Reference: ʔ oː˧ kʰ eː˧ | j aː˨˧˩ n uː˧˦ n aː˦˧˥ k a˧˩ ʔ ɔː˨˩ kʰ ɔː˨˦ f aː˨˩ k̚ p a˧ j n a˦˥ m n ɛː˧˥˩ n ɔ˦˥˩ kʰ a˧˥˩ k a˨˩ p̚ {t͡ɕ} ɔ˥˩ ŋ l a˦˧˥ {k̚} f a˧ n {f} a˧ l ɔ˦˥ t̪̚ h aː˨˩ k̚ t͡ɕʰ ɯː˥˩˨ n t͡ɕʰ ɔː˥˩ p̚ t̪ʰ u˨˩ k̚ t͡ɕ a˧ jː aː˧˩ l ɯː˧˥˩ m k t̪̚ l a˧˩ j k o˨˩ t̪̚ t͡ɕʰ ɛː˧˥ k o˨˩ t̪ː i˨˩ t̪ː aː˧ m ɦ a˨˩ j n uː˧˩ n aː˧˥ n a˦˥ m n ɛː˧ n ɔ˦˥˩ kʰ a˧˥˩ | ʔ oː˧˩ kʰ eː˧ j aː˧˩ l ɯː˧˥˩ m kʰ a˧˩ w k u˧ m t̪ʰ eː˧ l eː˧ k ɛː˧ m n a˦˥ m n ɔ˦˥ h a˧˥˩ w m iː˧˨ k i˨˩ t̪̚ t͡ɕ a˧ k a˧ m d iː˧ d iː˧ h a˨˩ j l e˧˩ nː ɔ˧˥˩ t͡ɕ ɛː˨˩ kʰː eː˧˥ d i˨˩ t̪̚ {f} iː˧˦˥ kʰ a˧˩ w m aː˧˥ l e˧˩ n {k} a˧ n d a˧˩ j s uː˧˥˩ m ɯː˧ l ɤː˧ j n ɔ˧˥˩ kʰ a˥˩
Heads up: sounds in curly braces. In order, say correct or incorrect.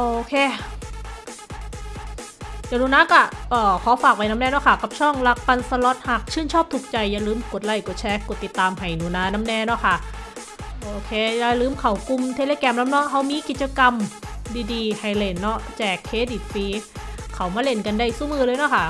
incorrect, correct, incorrect, correct, correct

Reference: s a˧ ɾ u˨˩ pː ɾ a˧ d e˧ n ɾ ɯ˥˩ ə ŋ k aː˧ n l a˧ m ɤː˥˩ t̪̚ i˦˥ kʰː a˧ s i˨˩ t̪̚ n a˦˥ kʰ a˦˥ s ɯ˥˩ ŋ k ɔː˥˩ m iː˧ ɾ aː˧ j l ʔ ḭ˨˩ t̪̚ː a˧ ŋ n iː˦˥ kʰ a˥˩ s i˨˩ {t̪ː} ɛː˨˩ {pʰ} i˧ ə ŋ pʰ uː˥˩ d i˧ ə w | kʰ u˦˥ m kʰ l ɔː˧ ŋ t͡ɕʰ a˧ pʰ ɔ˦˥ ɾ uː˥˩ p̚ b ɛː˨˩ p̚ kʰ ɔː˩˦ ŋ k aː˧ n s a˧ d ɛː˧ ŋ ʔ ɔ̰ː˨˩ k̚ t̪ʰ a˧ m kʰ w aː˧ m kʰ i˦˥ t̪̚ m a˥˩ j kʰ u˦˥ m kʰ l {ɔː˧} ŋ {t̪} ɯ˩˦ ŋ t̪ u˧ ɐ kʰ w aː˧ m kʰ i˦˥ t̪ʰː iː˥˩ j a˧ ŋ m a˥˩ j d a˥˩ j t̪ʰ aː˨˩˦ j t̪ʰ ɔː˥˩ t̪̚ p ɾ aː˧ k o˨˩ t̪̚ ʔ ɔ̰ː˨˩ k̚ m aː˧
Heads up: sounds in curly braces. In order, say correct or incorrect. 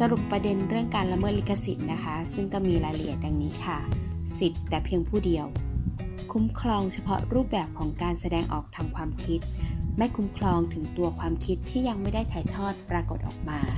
correct, correct, correct, incorrect

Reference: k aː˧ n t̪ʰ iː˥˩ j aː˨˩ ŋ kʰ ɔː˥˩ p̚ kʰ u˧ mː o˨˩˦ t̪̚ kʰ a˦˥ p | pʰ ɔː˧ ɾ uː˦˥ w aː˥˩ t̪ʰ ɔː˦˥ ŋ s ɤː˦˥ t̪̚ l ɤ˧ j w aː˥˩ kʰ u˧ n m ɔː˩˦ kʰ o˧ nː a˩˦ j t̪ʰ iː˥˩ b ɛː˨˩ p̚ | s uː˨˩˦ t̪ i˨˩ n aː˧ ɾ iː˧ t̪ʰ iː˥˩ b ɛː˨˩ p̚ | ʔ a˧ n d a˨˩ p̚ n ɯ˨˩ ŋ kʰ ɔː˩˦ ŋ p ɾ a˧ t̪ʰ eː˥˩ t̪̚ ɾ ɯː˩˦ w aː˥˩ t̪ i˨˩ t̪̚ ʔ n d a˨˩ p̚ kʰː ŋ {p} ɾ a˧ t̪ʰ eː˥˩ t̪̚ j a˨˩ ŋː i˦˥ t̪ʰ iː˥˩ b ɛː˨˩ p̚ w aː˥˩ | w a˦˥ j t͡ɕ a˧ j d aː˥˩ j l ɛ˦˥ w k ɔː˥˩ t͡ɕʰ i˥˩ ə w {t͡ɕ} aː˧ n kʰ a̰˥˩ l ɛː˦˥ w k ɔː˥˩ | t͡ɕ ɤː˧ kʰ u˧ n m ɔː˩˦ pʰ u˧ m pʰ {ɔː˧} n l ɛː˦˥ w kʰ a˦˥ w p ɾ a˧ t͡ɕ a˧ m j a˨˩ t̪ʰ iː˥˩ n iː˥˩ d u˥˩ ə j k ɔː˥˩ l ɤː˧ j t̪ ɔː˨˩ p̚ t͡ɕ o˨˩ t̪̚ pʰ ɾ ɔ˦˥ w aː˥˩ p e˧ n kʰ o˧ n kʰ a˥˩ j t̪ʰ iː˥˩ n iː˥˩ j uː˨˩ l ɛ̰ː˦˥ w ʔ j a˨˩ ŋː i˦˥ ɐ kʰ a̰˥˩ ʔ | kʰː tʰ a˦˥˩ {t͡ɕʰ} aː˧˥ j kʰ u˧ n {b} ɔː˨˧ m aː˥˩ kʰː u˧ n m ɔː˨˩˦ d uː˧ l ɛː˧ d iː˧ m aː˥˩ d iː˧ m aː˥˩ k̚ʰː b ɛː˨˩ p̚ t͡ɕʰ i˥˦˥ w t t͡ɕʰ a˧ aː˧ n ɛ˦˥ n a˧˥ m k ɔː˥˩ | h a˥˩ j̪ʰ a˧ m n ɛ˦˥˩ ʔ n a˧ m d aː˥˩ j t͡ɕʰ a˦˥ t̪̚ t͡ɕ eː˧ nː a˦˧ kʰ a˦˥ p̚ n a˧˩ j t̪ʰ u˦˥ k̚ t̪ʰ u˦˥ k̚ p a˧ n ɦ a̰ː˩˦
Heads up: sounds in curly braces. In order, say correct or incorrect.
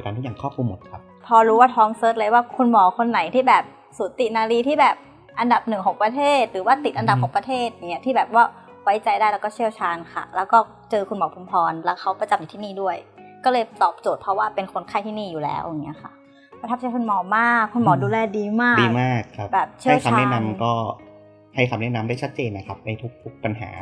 correct, incorrect, correct, incorrect, incorrect

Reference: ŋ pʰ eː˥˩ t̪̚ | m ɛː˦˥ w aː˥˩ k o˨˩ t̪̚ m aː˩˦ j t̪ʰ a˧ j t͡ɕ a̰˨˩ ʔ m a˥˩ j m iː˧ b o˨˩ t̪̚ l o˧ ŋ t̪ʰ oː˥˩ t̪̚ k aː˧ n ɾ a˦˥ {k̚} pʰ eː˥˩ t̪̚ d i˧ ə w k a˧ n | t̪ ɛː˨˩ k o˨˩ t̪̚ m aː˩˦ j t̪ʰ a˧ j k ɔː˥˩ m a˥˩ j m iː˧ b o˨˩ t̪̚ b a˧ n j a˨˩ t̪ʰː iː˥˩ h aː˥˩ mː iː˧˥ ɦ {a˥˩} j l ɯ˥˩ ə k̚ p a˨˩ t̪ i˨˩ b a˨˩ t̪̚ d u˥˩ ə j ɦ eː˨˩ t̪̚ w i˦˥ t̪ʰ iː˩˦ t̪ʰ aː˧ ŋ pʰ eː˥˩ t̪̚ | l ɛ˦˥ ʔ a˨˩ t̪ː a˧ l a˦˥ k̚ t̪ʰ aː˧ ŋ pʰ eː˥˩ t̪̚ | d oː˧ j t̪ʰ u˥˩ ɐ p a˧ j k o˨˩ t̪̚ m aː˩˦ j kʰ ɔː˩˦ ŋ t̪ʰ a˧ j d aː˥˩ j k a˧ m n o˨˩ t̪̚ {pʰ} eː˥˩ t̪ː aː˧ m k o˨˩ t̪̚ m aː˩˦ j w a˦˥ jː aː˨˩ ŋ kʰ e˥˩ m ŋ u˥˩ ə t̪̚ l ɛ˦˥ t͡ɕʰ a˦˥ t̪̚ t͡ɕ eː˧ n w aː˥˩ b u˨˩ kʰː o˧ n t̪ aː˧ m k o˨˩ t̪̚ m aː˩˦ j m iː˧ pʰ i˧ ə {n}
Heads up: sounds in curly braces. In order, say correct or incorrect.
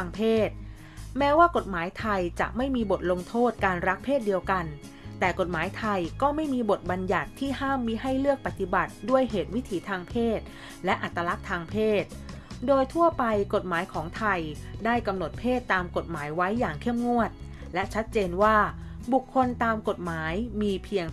correct, correct, correct, incorrect

